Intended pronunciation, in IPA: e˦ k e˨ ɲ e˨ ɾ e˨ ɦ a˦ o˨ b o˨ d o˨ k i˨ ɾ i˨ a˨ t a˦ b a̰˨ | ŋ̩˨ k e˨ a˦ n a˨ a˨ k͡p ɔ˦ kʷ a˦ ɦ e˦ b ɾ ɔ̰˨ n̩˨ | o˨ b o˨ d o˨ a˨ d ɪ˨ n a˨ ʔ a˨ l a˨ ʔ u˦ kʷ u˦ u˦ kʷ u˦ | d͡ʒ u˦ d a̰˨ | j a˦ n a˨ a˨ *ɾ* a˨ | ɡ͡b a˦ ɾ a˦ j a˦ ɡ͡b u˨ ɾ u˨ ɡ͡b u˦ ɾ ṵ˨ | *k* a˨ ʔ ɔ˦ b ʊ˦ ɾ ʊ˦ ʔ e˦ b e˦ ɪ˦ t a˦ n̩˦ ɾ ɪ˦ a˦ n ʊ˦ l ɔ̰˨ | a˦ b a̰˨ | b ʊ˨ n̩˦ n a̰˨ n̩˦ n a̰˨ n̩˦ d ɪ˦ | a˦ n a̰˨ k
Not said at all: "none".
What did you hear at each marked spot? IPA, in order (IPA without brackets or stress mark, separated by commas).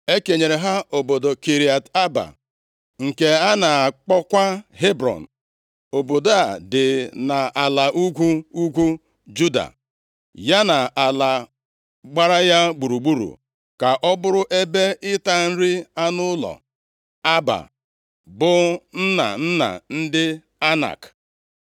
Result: l, k